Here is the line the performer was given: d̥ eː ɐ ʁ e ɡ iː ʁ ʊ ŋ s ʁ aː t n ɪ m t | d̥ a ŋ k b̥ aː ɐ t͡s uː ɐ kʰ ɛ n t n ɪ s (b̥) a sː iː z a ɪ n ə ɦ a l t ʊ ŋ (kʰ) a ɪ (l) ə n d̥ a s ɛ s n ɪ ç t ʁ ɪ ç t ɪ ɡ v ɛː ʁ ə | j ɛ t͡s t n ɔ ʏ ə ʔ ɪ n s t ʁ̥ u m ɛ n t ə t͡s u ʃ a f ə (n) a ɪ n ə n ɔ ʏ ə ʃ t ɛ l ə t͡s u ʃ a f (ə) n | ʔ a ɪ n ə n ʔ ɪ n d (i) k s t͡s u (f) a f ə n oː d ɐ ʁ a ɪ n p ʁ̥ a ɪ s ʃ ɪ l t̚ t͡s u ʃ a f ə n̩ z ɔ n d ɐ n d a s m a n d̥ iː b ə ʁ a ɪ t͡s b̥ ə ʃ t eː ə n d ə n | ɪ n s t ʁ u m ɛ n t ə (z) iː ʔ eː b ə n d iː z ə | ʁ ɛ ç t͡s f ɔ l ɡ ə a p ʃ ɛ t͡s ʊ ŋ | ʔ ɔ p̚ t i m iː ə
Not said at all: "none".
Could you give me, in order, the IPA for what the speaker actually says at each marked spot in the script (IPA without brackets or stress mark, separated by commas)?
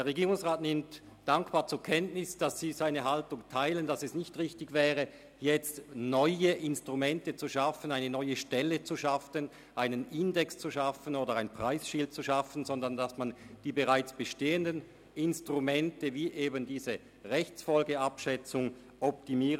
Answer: d̥, tʰ, l, n, ə, ɛ, ʃ, v